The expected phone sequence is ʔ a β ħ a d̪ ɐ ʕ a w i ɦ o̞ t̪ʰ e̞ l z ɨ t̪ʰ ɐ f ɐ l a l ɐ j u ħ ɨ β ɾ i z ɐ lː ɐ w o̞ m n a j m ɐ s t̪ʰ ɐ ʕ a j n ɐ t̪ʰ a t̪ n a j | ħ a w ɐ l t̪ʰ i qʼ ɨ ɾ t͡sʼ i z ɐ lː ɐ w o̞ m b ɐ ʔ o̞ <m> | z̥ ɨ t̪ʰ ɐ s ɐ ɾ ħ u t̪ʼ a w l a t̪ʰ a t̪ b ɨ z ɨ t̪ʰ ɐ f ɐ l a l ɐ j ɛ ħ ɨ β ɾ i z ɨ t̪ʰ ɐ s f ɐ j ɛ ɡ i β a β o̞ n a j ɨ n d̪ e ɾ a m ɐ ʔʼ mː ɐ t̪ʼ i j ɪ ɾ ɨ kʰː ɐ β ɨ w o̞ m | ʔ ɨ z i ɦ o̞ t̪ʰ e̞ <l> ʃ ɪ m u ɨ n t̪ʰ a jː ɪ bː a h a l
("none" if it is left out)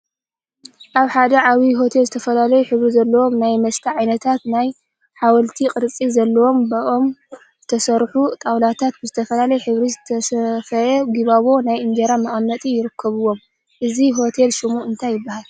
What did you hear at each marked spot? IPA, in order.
m, l

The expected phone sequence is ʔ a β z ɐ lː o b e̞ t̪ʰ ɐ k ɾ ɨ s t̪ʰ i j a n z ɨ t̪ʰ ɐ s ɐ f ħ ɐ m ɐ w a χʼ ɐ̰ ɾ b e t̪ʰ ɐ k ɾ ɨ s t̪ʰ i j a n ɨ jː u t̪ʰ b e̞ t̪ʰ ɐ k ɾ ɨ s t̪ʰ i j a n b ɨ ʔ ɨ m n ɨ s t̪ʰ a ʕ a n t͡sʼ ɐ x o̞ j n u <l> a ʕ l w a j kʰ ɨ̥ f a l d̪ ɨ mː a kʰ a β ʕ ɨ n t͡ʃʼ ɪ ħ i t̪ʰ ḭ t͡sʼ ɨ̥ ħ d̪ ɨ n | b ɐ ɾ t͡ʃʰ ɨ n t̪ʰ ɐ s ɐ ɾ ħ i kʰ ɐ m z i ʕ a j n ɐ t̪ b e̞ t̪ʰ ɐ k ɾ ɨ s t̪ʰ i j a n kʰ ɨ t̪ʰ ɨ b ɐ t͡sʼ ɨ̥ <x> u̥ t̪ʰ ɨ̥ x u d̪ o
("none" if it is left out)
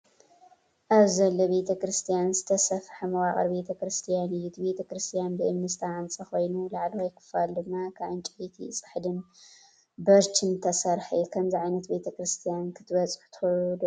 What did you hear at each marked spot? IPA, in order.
l, ħ

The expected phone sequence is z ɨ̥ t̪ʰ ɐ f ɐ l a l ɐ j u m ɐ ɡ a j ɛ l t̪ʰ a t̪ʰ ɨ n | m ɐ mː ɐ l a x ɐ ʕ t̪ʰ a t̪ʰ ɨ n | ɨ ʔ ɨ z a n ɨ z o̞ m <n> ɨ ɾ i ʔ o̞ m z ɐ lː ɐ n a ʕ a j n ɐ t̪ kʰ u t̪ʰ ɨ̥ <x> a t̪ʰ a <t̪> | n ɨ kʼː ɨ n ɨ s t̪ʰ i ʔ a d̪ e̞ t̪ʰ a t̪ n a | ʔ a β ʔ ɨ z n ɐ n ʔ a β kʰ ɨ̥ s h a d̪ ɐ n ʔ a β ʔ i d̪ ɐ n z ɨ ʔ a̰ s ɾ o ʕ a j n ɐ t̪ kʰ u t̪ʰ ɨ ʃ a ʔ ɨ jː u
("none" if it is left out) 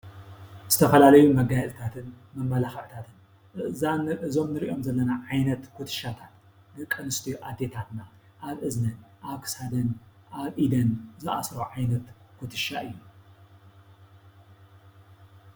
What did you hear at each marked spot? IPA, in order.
n, ʃ, t̪

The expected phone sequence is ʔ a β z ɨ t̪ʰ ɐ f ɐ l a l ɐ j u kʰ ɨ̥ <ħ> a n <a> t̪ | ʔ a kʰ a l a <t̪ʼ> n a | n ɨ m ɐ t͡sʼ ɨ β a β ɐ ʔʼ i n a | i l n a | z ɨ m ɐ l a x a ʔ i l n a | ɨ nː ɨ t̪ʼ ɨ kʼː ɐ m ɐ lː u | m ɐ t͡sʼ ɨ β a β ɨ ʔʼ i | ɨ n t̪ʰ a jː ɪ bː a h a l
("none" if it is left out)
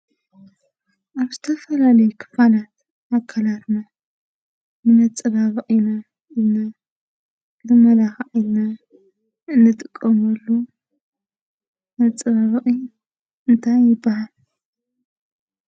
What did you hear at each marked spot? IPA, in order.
f, a, t̪

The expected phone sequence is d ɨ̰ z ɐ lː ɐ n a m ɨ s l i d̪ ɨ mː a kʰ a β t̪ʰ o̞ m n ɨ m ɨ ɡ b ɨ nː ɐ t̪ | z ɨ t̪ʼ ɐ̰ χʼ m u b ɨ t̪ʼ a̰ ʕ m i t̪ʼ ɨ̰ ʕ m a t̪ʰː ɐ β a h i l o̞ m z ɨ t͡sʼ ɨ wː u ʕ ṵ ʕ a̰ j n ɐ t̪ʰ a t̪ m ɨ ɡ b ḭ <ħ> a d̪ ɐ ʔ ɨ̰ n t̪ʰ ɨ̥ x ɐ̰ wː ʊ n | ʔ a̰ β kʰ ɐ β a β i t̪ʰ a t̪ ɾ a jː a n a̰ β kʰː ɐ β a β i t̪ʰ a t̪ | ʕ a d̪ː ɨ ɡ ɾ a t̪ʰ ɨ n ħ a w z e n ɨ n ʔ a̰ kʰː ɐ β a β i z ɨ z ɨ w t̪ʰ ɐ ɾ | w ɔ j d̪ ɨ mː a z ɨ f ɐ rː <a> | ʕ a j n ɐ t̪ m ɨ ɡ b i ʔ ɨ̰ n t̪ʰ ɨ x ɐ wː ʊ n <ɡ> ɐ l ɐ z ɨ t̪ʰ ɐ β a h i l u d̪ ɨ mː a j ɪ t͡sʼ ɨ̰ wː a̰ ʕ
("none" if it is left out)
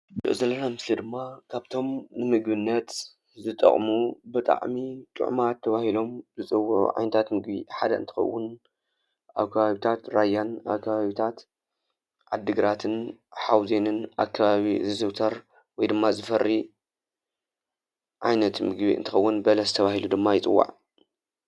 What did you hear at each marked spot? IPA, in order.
ħ, i, b

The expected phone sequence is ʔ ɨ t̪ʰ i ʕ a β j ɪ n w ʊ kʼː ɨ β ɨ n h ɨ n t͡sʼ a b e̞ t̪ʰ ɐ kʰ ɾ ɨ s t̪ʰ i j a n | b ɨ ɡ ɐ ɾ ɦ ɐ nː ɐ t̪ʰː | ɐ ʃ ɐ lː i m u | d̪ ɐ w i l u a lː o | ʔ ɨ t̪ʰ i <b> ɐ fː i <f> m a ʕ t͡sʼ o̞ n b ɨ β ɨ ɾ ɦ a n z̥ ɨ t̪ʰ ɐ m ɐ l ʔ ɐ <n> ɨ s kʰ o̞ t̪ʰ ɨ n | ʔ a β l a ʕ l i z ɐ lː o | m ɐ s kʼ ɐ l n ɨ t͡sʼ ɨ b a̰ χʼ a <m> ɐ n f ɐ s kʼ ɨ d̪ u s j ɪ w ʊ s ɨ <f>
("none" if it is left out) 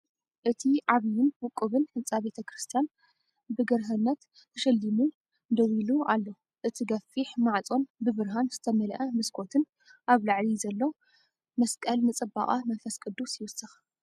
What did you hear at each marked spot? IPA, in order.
ɡ, ħ, m, m, x

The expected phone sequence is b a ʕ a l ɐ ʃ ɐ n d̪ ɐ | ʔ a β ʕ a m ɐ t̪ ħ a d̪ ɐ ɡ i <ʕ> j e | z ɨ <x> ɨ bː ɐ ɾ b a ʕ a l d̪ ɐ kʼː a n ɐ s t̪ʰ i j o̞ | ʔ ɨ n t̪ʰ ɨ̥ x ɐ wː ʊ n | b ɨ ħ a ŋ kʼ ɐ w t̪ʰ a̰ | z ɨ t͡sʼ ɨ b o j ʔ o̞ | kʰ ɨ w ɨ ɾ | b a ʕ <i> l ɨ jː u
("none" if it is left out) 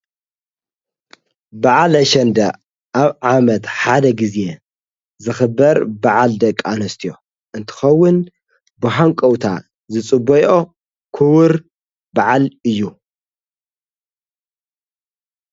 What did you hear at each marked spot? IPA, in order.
z, x, a

